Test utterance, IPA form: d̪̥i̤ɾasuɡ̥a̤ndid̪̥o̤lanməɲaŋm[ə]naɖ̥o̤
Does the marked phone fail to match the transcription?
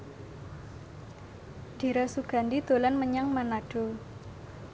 yes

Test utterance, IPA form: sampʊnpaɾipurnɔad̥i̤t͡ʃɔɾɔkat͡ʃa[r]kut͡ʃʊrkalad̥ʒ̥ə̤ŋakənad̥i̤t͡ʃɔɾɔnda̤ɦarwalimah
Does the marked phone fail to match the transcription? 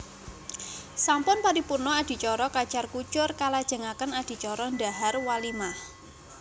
no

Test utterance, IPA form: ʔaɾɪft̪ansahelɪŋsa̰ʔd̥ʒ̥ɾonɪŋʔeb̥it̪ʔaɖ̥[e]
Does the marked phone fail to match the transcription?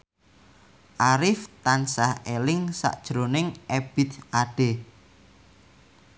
no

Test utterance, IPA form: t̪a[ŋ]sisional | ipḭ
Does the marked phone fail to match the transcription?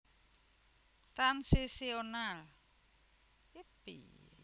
yes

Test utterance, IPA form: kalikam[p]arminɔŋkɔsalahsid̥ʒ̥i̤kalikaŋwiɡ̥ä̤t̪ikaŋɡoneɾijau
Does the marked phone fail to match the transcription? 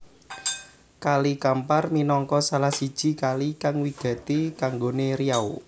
no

